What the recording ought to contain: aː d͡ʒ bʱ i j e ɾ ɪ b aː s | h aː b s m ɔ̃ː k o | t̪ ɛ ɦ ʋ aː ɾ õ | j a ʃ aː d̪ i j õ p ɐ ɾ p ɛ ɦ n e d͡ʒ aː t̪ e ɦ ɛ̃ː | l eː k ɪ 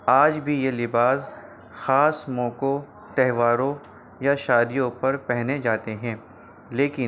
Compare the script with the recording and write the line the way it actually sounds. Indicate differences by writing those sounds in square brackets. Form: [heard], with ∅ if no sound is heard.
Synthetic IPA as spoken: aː d͡ʒ bʱ i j e [l] ɪ b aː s | [x] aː [∅] s m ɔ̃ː k o | t̪ ɛ ɦ ʋ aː ɾ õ | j a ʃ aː d̪ i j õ p ɐ ɾ p ɛ ɦ n e d͡ʒ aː t̪ e ɦ ɛ̃ː | l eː k ɪ